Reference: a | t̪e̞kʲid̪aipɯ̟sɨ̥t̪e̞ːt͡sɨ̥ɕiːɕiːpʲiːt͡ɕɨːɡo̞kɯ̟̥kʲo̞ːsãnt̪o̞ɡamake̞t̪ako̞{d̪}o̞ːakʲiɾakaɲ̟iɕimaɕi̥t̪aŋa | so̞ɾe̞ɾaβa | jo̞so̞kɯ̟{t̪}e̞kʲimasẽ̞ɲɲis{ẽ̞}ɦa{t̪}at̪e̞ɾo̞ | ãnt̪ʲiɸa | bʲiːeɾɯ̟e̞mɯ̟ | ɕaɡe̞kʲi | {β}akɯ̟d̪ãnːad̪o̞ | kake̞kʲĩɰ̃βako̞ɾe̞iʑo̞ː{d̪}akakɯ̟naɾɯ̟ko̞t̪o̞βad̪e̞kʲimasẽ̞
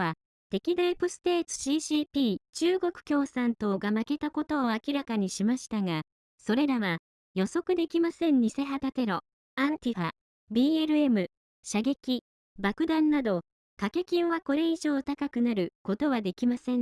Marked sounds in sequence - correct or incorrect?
incorrect: t̪, incorrect: d̪, incorrect: e̞, correct, incorrect: b, incorrect: t̪

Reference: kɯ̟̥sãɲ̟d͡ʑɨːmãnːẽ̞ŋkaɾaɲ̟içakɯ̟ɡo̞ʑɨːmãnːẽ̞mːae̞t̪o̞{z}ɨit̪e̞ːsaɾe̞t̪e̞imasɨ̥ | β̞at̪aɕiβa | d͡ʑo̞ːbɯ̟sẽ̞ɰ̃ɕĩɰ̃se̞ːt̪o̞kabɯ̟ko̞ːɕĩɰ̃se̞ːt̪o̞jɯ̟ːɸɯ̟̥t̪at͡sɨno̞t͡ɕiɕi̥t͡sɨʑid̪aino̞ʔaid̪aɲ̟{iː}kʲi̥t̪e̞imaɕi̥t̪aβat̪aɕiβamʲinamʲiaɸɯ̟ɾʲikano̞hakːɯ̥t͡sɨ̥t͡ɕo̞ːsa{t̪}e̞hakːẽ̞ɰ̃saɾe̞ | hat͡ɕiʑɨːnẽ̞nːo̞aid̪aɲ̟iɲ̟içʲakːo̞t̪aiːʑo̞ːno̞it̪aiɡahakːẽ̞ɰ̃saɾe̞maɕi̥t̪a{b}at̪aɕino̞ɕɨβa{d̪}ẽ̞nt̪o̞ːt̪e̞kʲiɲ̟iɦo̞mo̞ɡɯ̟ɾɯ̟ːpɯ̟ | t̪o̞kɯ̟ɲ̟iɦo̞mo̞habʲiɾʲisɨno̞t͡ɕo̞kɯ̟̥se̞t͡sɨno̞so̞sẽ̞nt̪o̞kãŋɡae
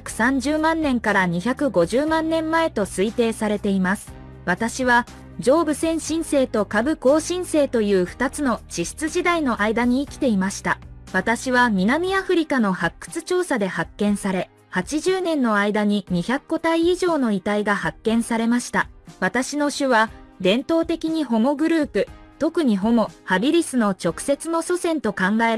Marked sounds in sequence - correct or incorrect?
incorrect: s, correct, incorrect: d̪, incorrect: β, correct

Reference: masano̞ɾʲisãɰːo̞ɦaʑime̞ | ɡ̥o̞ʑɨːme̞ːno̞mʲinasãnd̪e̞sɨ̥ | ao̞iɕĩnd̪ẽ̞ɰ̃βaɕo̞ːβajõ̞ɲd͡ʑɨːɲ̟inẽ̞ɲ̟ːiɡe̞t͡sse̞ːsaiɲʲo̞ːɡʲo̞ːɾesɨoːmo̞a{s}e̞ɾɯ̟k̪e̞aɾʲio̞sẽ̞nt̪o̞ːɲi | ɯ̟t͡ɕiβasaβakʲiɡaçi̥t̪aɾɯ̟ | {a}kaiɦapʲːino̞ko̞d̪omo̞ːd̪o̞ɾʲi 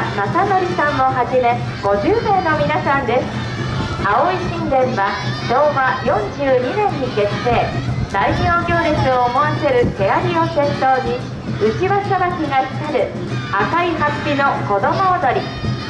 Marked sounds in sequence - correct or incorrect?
correct, correct

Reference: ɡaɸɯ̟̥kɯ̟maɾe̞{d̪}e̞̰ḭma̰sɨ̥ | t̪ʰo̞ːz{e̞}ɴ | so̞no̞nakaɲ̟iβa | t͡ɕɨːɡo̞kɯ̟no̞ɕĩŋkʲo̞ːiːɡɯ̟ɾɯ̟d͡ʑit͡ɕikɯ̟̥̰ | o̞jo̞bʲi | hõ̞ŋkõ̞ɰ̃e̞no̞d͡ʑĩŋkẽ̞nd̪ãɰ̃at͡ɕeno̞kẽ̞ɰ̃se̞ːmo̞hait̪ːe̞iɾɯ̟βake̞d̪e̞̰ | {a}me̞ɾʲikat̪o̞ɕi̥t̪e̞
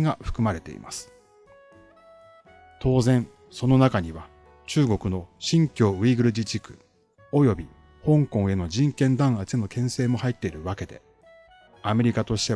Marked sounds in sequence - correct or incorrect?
incorrect: t̪, incorrect: ẽ̞, correct

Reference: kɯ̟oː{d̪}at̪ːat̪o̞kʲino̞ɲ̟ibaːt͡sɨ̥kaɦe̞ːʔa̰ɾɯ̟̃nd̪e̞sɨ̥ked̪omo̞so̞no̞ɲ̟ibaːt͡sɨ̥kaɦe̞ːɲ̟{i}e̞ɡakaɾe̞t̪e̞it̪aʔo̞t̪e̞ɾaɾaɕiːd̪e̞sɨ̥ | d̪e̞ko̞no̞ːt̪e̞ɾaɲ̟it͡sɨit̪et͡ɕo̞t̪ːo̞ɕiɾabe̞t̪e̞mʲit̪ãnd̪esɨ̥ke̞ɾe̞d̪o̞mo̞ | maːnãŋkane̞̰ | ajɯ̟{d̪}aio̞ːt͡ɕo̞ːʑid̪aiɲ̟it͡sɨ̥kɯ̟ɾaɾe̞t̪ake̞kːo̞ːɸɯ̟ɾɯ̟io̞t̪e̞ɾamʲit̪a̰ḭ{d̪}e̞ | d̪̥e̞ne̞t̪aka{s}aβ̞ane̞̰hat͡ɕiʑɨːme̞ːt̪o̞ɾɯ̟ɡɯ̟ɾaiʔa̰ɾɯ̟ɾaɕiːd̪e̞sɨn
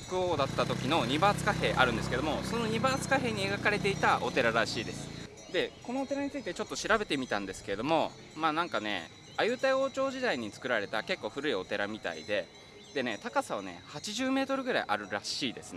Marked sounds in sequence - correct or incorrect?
correct, correct, incorrect: t̪, correct, correct

